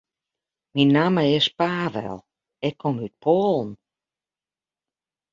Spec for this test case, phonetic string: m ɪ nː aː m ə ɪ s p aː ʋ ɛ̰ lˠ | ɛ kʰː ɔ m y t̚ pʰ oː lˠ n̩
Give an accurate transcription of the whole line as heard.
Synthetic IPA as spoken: m i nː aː m ə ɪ s p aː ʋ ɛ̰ lˠ | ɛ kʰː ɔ m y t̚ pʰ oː lˠ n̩